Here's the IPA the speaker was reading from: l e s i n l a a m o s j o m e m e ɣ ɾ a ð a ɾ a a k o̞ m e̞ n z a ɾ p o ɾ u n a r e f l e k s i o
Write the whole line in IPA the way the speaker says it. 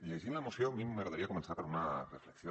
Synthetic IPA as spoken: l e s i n l a e m o s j o m i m e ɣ ɾ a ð a ɾ i a k o̞ m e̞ n s a ɾ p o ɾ u n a r e f l e k s j o